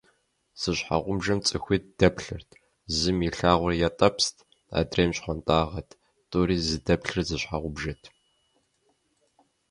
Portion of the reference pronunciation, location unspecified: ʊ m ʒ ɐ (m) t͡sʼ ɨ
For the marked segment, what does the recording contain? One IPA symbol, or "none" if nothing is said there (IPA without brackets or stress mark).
m